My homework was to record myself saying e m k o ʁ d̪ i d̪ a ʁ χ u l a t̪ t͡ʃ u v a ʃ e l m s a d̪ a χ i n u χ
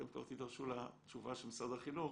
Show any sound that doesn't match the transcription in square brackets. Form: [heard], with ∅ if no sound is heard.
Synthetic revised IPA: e m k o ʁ [t̪] i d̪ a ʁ [ʃ] u l a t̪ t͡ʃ u v a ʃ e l m s a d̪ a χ i n u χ

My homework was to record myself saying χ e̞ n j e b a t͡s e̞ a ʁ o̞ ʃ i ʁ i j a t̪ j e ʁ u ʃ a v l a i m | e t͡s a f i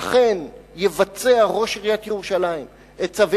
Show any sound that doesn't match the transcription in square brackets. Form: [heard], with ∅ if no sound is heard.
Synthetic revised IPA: χ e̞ n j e [v] a t͡s e̞ a ʁ o̞ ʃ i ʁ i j a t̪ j e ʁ u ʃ a [∅] l a i m | e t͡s a [v] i

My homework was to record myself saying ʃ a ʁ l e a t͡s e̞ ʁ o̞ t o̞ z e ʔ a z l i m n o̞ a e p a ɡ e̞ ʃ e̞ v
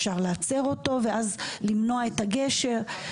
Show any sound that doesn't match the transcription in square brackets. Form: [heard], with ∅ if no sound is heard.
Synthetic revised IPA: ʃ a ʁ l e a t͡s e̞ ʁ o̞ t o̞ [v] e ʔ a z l i m n o̞ a e [t] a ɡ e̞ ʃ e̞ [ʁ]

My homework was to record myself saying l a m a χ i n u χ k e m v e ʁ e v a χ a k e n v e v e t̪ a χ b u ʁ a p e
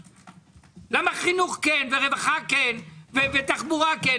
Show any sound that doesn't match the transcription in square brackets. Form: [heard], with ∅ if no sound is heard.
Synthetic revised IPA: l a m a χ i n u χ k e [n] v e ʁ e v a χ a k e n v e v e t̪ a χ b u ʁ a [k] e

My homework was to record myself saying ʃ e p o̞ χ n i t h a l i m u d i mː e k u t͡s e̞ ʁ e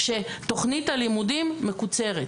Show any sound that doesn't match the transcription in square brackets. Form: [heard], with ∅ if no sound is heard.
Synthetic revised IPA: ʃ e [t] o̞ χ n i t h a l i m u d i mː e k u t͡s e̞ ʁ e

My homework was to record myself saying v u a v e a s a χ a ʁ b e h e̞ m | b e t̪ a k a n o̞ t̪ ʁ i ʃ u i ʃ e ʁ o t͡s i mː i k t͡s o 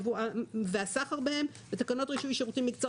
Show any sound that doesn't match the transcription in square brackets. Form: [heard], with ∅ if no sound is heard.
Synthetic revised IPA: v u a v e a s a χ a ʁ b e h e̞ m | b e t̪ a k a n o̞ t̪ ʁ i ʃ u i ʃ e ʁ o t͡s i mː i k t͡s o

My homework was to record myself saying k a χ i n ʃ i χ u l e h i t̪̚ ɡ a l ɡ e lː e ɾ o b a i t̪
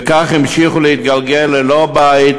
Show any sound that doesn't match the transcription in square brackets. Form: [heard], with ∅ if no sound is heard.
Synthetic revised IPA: k a χ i [m] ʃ i χ u l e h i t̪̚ ɡ a l ɡ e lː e [l] o b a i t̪

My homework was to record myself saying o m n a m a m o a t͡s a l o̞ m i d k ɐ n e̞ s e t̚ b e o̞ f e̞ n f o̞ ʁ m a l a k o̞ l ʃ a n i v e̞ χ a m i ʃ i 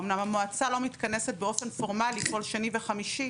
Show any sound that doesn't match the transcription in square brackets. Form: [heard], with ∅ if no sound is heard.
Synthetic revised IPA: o m n a m a m o a t͡s a l o̞ m i [t] k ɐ n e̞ s e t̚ b e o̞ f e̞ n f o̞ ʁ m a l [i] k o̞ l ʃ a n i v e̞ χ a m i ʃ i

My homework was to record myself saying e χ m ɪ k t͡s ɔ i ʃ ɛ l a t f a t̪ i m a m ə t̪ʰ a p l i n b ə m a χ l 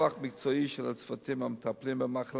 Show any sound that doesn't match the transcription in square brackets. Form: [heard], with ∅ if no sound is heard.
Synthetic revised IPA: [a] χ m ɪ k t͡s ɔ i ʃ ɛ l a [t͡s] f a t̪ i m a m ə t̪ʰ a p l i [m] b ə m a χ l

